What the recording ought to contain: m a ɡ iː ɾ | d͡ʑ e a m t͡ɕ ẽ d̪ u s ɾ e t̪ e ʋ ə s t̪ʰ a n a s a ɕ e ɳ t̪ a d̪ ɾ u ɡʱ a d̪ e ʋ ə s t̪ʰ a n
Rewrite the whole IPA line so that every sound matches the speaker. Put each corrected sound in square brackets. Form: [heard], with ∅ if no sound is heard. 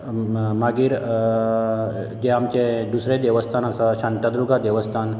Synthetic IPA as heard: m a ɡ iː ɾ | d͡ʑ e a m t͡ɕ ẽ d̪ u s ɾ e [d̪] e ʋ ə s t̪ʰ a n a s a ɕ [a] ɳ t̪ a d̪ ɾ u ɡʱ a d̪ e ʋ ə s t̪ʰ a n